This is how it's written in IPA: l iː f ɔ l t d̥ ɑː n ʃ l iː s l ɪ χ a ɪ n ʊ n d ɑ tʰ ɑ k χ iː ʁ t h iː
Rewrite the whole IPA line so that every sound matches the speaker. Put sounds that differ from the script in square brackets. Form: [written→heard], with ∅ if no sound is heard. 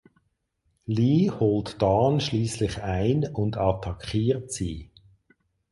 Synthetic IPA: l iː [f→h] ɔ l t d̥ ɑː n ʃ l iː s l ɪ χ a ɪ n ʊ n d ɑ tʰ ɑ k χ iː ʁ t [h→s] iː

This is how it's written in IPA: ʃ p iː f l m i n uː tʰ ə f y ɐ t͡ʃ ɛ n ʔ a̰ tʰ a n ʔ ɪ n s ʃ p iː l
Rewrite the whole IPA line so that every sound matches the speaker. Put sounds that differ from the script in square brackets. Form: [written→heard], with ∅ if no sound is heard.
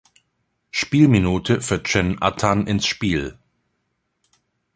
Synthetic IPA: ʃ p iː [f→∅] l m i n uː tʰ ə f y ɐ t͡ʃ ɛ n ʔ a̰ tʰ a n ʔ ɪ n s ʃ p iː l

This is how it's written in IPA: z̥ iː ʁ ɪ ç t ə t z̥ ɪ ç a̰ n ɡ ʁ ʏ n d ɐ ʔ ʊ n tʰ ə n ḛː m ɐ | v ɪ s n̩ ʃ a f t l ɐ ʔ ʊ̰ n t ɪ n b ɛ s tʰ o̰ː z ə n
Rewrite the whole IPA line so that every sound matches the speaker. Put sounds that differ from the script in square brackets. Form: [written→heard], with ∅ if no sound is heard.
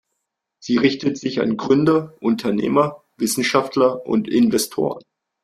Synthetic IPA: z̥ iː ʁ ɪ ç t ə t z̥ ɪ ç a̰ n ɡ ʁ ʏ n d ɐ ʔ ʊ n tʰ [ə→ɐ] n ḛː m ɐ | v ɪ s n̩ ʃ a f t l ɐ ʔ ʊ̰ n t ɪ n [b→v] ɛ s tʰ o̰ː [z→ʁ] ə n

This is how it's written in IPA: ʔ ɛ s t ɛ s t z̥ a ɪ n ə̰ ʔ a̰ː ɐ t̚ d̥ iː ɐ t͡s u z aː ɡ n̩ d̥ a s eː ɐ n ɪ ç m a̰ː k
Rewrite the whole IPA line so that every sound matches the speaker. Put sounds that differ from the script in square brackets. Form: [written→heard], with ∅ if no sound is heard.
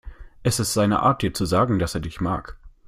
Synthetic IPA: ʔ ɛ s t ɛ s t z̥ a ɪ n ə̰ ʔ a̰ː ɐ t̚ d̥ iː ɐ t͡s u z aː ɡ [n̩→ŋ̩] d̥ a s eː ɐ [n→d] ɪ ç m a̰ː k

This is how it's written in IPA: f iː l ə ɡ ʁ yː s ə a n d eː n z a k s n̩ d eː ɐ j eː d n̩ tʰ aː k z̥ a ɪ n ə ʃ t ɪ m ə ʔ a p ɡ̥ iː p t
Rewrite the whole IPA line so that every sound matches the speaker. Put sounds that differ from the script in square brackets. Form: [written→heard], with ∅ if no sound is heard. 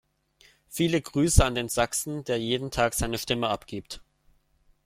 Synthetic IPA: f iː l ə ɡ ʁ yː s ə a n d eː n z a k s n̩ d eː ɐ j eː d n̩ tʰ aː k z̥ a ɪ n ə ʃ t ɪ m ə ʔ a p ɡ̥ iː p t

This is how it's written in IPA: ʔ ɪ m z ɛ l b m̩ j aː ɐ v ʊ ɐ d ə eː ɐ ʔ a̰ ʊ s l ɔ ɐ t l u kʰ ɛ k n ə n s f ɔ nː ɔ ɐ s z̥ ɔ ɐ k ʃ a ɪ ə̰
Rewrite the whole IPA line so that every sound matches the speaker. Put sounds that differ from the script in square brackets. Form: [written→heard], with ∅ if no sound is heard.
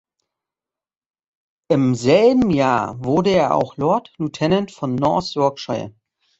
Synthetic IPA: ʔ ɪ m z ɛ l b m̩ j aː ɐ v ʊ ɐ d ə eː ɐ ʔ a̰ ʊ [s→x] l ɔ ɐ t l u [kʰ→tʰ] ɛ [k→∅] n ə n [s→t] f ɔ nː ɔ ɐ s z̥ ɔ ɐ k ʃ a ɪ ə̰

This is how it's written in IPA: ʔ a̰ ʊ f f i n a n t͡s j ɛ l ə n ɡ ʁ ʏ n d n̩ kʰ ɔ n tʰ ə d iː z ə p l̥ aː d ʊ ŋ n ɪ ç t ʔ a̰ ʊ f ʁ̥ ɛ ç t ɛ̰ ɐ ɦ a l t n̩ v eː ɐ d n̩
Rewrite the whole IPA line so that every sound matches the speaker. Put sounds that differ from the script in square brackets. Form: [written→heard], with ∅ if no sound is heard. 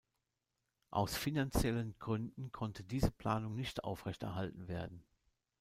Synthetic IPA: ʔ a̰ ʊ [f→s] f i n a n t͡s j ɛ l ə n ɡ ʁ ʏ n d n̩ kʰ ɔ n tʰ ə d iː z ə p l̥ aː [d→n] ʊ ŋ n ɪ ç t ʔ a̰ ʊ f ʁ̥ ɛ ç t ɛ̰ ɐ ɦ a l t n̩ v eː ɐ d n̩

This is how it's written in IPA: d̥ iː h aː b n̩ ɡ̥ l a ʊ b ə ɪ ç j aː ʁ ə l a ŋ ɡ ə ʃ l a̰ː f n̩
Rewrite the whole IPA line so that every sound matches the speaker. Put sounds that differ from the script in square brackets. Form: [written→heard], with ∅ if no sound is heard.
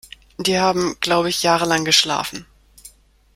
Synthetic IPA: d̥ iː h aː b [n̩→m̩] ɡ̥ l a ʊ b ə ɪ ç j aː ʁ ə l a ŋ ɡ ə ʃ l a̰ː f n̩

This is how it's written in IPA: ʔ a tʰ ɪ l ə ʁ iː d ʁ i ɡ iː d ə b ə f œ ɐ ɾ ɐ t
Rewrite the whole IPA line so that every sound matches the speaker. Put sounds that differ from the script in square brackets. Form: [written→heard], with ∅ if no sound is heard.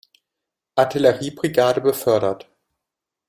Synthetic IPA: ʔ a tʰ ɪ l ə ʁ iː [d→b] ʁ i ɡ [iː→aː] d ə b ə f œ ɐ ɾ ɐ t

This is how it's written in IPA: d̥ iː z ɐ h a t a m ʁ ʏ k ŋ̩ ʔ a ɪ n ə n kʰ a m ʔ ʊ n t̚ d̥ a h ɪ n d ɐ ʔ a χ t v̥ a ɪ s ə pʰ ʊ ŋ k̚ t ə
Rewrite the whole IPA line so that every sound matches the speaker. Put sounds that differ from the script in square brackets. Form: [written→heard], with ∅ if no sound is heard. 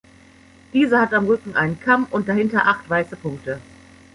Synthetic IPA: d̥ iː z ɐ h a t a m ʁ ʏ k ŋ̩ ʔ a ɪ n ə n kʰ a m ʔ ʊ n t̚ d̥ a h ɪ n [d→t] ɐ ʔ a χ t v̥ a ɪ s ə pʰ ʊ ŋ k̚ t ə

